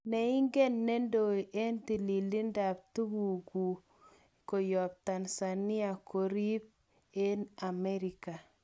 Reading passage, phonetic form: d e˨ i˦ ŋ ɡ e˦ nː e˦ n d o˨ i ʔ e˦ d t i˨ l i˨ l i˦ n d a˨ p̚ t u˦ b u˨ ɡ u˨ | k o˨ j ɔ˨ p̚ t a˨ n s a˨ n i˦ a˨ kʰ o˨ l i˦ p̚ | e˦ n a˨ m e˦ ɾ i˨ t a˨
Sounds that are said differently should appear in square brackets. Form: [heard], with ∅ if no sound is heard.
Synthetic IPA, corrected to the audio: [n] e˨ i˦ ŋ ɡ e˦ nː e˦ n d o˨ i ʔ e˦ [n] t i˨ l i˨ l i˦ n d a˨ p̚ t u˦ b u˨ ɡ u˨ | k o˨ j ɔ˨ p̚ t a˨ n s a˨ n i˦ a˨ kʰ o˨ [ɾ] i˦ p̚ | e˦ n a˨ m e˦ ɾ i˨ [k] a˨

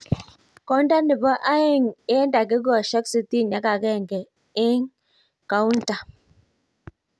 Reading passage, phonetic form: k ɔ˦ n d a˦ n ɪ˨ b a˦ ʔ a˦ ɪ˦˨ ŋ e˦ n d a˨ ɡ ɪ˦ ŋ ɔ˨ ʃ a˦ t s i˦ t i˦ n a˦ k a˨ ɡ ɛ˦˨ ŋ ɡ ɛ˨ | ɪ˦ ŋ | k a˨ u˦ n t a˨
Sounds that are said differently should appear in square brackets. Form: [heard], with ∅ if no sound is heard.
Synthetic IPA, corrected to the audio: k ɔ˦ n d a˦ n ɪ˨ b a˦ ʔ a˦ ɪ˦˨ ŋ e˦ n d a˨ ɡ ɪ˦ [ɡ] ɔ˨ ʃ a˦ [k] s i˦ t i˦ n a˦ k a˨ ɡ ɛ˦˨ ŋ ɡ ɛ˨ | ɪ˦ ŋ | k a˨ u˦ n t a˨

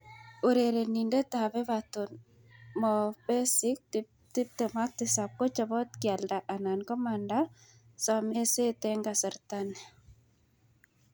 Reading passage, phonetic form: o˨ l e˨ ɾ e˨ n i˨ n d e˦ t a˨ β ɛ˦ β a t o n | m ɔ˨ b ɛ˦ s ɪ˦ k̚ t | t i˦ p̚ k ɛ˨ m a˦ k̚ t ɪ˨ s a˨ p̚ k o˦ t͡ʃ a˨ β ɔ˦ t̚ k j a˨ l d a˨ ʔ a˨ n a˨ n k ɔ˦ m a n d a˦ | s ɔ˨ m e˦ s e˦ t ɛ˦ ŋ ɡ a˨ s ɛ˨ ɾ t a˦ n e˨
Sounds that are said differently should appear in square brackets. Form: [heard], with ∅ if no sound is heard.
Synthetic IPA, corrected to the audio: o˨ [ɾ] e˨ ɾ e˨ n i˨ n d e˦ t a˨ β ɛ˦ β a t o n | m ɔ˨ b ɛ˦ s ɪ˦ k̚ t | t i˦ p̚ [t] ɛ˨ m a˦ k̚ t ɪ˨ s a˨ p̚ k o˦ t͡ʃ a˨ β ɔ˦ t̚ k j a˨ l d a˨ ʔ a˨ n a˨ n k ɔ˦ m a n d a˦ | s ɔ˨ m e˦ s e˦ t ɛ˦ ŋ ɡ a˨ s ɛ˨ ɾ t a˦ n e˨

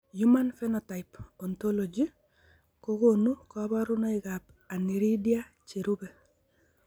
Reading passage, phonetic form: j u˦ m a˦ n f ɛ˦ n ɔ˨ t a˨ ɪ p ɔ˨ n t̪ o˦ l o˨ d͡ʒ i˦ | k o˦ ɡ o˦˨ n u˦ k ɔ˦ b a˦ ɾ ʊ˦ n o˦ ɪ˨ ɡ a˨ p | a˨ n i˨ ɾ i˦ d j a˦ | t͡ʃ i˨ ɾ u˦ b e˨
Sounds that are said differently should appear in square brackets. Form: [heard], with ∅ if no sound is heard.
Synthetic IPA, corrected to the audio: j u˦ m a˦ n f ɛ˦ n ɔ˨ t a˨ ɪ p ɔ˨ n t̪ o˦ l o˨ d͡ʒ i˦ | k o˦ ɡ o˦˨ n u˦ k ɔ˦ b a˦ ɾ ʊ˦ n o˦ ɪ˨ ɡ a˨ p | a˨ n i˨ ɾ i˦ d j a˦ | t͡ʃ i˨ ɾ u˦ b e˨

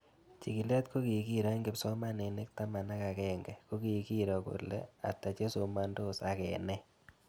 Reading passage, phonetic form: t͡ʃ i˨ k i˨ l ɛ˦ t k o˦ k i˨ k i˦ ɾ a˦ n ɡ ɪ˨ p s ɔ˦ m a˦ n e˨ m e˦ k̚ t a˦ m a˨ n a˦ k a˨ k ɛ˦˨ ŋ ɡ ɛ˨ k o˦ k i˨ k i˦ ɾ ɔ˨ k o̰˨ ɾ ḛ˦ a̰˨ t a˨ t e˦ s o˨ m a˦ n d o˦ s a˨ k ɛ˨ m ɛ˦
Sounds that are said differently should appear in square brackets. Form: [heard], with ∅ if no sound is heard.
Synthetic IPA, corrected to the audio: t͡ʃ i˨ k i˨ l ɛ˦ t k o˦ k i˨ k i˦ ɾ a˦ [ŋ] ɡ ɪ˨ p s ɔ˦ m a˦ n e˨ [n] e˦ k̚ t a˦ m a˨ n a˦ k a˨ k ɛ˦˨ ŋ ɡ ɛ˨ k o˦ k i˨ k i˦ ɾ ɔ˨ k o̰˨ [l] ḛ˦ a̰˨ t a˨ [t͡ʃ] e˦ s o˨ m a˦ n d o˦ s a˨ k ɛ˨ [n] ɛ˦

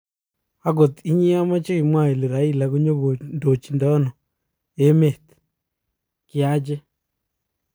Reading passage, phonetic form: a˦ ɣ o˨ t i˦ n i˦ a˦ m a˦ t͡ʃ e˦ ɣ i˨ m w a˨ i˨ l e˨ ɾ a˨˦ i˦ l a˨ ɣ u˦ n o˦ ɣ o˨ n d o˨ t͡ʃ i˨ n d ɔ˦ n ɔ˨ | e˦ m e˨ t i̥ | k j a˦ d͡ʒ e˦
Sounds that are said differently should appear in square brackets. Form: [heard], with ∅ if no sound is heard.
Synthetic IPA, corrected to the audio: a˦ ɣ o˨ t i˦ [ɲ] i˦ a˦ m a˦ t͡ʃ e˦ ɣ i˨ m w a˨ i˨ l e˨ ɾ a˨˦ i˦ l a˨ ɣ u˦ [ɲ] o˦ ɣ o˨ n d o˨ t͡ʃ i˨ n d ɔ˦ n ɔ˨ | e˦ m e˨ t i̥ | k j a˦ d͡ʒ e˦

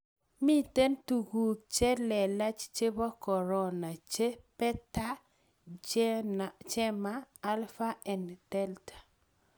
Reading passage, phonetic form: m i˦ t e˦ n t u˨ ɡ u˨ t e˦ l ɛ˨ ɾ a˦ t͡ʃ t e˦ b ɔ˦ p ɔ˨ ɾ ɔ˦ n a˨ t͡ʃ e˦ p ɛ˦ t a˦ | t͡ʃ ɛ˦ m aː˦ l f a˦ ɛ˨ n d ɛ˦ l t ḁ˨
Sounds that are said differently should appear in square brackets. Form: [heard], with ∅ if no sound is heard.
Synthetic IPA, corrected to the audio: m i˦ t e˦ n t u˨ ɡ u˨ [t͡ʃ] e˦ l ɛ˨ [l] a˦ t͡ʃ [t͡ʃ] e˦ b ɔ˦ [k] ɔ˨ ɾ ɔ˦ n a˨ t͡ʃ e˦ p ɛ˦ t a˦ | t͡ʃ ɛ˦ m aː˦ l f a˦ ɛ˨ n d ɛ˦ l t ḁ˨

